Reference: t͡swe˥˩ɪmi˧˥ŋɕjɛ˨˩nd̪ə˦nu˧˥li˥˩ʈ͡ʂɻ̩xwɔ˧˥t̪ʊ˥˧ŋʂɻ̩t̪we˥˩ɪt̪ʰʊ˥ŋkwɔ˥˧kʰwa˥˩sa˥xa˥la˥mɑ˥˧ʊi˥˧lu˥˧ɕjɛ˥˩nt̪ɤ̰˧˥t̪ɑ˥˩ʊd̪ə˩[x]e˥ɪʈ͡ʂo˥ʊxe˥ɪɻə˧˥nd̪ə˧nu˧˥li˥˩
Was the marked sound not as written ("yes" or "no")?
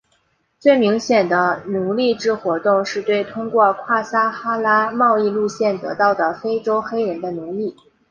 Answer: yes